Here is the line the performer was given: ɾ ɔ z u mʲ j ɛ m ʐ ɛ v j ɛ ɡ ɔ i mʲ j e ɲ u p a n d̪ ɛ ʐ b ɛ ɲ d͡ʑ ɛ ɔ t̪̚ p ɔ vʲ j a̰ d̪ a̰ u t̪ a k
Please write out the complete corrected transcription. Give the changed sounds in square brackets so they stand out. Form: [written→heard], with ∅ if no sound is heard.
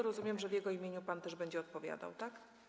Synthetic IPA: ɾ ɔ z u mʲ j ɛ m ʐ ɛ v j ɛ ɡ ɔ i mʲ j e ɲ u p a n [d̪→t̪] ɛ ʐ b ɛ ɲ d͡ʑ ɛ ɔ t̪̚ p ɔ vʲ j a̰ d̪ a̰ [u→w] t̪ a k

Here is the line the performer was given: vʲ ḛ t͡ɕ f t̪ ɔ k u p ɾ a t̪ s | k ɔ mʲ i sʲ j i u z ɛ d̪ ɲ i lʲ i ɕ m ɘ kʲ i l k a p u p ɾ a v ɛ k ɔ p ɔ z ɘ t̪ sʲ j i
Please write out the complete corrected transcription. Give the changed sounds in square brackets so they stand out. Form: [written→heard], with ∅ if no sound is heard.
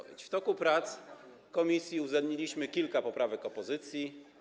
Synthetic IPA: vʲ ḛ t͡ɕ f t̪ ɔ k u p ɾ a t̪ s | k ɔ mʲ i sʲ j i u z ɛ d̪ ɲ i lʲ i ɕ m ɘ kʲ i l k a p [u→ɔ] p ɾ a v ɛ k ɔ p ɔ z ɘ t̪ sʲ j i

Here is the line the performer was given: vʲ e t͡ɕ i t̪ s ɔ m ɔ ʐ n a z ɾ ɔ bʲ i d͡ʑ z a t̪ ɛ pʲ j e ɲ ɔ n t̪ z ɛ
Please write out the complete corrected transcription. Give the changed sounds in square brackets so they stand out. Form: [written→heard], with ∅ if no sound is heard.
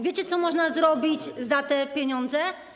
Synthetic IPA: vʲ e t͡ɕ [i→ɛ] t̪ s ɔ m ɔ ʐ n a z ɾ ɔ bʲ i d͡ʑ z a t̪ ɛ pʲ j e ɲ ɔ n [t̪→d̪] z ɛ

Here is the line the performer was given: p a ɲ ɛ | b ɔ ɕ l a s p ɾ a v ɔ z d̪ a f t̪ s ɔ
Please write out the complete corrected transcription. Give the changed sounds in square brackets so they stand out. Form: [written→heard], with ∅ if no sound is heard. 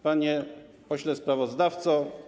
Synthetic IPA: p a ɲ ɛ | [b→p] ɔ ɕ l [a→ɛ] s p ɾ a v ɔ z d̪ a f t̪ s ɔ

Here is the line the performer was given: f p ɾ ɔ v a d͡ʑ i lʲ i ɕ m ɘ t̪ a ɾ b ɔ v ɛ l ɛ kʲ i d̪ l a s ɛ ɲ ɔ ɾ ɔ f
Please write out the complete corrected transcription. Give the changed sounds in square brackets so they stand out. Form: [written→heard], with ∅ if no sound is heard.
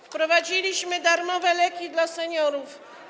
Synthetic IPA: f p ɾ ɔ v a d͡ʑ i lʲ i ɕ m ɘ [t̪→d̪] a ɾ [b→m] ɔ v ɛ l ɛ kʲ i d̪ l a s ɛ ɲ ɔ ɾ [ɔ→u] f

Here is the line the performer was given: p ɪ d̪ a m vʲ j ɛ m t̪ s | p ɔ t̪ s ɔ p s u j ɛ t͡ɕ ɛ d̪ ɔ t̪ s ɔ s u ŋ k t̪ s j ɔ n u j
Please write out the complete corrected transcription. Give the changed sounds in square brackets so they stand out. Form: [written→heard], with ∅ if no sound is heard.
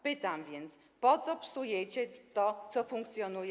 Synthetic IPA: p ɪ [d̪→t̪] a m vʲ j ɛ [m→n] t̪ s | p ɔ t̪ s ɔ p s u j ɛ t͡ɕ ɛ [d̪→t̪] ɔ t̪ s ɔ [s→f] u ŋ k t̪ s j ɔ n u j

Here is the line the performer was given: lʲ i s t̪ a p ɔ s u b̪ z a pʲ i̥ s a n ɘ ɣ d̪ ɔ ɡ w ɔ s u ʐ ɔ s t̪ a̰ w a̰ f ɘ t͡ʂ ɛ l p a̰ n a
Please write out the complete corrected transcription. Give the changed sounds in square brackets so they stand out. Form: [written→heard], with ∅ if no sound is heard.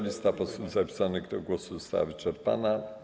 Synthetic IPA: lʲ i s t̪ a p ɔ s u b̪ z a pʲ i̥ s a n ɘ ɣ d̪ ɔ ɡ w ɔ s u [ʐ→z] ɔ s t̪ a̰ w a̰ [f→v] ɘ t͡ʂ ɛ [l→ɾ] p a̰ n a

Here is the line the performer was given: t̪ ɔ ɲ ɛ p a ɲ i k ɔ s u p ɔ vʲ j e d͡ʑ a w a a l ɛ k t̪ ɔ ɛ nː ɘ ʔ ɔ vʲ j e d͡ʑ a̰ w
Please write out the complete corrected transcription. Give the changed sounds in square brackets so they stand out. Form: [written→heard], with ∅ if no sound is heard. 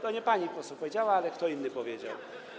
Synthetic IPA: t̪ ɔ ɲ ɛ p a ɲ i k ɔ s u p ɔ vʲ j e d͡ʑ a w a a l ɛ k t̪ ɔ [ɛ→i] nː ɘ [ʔ→p] ɔ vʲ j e d͡ʑ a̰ w

